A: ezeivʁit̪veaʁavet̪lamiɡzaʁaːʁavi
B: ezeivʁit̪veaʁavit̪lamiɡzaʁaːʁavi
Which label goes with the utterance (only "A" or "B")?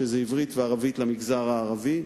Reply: B